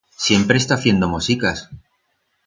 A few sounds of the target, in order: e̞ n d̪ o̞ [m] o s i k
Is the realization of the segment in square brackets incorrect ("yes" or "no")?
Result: no